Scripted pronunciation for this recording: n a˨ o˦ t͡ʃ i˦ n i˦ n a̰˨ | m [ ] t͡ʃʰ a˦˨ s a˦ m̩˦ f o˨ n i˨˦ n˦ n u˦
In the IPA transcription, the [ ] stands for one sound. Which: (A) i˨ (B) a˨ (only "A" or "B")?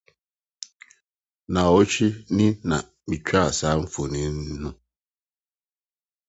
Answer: A